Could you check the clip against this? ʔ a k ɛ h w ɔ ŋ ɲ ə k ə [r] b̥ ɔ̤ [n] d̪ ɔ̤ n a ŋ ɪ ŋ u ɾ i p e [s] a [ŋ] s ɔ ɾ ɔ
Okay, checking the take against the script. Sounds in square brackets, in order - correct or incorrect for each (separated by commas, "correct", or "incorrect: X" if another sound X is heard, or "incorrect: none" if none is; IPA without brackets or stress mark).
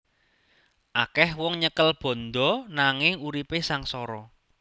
incorrect: l, correct, correct, correct